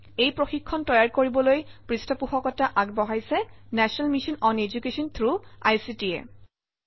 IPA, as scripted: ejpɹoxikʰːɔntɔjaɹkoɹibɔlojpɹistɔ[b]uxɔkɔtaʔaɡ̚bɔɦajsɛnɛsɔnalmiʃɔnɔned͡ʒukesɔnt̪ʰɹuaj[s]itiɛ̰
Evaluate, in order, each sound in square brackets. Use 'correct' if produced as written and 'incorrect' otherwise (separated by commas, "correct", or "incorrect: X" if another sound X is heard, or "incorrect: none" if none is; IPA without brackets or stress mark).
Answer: incorrect: p, correct